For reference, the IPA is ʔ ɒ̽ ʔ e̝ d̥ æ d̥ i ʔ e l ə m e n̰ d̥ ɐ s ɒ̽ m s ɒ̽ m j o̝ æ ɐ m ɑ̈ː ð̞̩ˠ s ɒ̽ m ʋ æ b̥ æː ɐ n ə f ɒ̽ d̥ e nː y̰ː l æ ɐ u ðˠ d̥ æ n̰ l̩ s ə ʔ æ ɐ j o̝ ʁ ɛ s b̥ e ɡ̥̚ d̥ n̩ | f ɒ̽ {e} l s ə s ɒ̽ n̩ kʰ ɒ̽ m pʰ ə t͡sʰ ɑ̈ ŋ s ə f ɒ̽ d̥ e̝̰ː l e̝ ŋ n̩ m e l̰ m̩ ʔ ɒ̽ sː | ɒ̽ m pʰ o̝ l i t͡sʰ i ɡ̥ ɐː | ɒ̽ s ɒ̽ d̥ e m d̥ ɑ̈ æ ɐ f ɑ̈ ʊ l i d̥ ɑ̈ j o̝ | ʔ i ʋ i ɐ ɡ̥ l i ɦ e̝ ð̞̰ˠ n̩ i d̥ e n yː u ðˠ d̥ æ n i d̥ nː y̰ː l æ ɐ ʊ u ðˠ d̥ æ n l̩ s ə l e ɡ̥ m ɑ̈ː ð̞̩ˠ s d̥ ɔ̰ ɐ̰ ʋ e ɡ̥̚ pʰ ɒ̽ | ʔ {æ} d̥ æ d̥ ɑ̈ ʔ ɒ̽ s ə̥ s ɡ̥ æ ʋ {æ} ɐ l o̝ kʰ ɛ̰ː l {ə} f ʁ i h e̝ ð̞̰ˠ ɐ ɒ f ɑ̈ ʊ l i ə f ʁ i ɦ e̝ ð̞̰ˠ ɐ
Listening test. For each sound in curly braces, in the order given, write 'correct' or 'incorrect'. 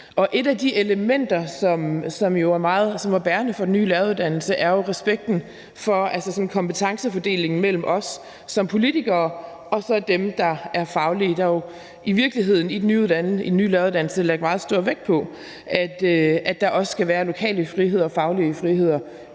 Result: incorrect: æ, correct, incorrect: æː, correct

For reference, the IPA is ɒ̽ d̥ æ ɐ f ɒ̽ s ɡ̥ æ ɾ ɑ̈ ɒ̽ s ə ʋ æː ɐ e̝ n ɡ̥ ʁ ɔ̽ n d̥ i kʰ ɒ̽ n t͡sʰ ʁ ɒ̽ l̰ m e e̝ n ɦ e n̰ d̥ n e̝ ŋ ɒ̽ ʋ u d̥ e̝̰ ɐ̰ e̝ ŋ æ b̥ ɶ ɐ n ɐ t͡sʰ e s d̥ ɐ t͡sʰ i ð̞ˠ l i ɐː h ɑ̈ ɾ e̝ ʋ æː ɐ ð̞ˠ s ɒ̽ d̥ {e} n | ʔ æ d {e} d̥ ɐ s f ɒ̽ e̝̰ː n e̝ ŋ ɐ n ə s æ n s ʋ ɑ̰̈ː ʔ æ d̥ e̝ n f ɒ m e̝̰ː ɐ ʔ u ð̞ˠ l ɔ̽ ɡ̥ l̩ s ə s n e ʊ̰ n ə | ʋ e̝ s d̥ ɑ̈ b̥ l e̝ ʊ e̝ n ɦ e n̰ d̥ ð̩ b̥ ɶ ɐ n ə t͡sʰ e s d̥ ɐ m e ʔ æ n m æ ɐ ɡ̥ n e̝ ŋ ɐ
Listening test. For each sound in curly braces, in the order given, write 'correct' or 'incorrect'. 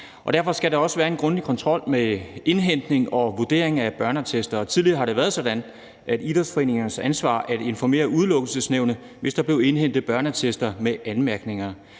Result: incorrect: æ, incorrect: i

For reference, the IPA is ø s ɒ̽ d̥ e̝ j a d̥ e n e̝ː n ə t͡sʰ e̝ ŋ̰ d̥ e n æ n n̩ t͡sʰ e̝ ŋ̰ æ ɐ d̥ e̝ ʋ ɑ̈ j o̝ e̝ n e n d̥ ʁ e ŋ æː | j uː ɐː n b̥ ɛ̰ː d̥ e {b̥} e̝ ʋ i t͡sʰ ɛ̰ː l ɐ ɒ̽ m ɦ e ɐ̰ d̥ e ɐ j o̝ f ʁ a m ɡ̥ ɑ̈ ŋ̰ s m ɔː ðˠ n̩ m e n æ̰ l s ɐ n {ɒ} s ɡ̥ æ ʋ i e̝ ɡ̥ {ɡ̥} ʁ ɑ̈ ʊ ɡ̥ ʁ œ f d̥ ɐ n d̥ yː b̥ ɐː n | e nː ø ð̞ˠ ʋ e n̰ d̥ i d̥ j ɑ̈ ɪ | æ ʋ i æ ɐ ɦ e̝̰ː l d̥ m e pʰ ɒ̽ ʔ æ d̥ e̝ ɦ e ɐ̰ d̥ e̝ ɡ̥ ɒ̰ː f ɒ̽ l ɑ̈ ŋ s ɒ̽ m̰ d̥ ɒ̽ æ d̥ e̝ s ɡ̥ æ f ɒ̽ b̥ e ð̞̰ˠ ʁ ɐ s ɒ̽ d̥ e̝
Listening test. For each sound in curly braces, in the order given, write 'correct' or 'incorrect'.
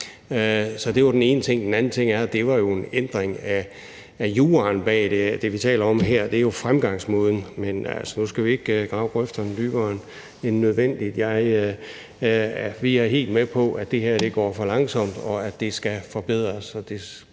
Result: incorrect: d̥, incorrect: u, correct

